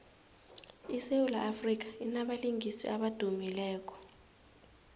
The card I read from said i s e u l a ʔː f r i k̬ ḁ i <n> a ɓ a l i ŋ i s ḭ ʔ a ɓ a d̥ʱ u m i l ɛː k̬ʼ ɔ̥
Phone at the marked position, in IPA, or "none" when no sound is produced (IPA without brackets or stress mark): n